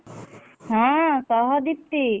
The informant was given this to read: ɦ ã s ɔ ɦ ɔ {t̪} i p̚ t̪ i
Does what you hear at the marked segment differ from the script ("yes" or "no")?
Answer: yes